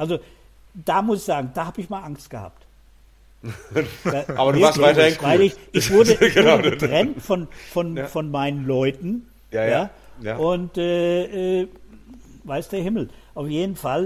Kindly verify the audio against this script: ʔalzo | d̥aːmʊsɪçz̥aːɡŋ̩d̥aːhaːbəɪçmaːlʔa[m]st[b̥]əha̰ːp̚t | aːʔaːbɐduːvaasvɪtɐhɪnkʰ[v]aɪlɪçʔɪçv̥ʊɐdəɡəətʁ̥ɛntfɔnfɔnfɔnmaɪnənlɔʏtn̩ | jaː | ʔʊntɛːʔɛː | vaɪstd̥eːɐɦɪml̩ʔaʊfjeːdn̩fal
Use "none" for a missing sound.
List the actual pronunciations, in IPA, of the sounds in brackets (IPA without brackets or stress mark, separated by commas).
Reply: ŋ, ɡ̥, v